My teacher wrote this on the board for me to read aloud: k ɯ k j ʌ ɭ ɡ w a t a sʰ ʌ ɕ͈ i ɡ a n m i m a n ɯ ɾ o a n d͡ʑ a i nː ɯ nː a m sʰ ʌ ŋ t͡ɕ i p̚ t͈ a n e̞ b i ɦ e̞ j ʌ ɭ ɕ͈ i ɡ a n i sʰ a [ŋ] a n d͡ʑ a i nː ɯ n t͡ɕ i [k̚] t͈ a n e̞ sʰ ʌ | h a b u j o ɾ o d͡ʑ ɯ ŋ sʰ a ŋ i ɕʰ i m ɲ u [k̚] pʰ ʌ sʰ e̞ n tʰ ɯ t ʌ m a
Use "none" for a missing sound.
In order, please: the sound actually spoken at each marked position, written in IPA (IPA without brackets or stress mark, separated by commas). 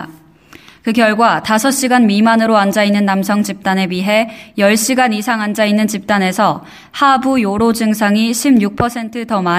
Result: ŋ, p̚, k̚